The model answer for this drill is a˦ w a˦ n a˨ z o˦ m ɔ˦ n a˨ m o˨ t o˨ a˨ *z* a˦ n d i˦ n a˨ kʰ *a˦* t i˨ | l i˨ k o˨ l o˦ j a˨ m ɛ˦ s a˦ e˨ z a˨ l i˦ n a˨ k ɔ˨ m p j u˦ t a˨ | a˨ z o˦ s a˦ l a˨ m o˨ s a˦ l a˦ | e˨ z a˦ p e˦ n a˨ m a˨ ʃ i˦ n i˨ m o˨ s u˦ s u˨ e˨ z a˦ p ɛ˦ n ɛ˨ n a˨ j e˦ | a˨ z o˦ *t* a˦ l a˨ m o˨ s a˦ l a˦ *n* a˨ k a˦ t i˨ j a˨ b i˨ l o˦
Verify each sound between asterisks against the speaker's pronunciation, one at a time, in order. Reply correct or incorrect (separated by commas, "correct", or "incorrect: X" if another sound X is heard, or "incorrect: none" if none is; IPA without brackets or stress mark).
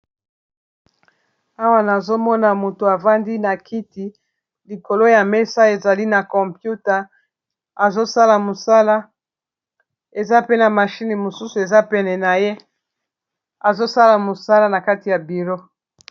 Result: incorrect: v, incorrect: i˦, incorrect: s, correct